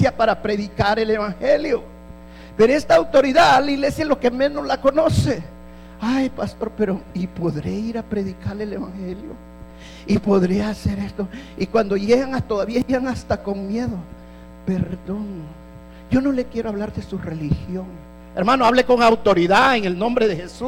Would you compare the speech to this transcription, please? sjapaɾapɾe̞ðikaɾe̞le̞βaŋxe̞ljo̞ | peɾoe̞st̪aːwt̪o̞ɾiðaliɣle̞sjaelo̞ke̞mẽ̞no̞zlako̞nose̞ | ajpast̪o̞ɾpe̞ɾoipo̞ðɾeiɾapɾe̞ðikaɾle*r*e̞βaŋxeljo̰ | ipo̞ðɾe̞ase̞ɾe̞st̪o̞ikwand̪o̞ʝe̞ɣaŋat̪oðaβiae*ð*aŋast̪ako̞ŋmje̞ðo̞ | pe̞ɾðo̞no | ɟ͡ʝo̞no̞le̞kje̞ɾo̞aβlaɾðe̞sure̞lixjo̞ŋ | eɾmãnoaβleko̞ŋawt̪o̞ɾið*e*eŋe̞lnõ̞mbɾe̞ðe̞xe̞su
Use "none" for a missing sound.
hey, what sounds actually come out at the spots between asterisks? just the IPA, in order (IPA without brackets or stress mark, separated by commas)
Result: l, ɣ, a